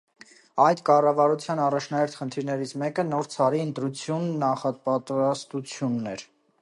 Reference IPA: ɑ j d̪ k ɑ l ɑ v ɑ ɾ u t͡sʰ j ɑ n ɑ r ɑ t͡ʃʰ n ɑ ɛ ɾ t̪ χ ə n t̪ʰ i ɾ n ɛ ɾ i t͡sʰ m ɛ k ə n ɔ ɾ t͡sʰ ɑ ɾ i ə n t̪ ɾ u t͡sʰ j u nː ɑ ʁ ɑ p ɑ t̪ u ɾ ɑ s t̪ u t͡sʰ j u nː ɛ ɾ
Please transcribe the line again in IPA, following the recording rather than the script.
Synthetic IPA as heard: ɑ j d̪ k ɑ r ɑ v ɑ ɾ u t͡sʰ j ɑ n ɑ r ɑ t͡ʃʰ n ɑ ɛ ɾ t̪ χ ə n t̪ʰ i ɾ n ɛ ɾ i t͡sʰ m ɛ k ə n ɔ ɾ t͡sʰ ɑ ɾ i ə n t̪ ɾ u t͡sʰ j u nː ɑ χ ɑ p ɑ t̪ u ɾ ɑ s t̪ u t͡sʰ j u nː ɛ ɾ